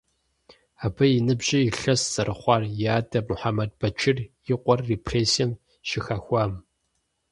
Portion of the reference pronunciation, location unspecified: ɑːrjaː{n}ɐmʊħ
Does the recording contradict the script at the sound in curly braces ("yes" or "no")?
yes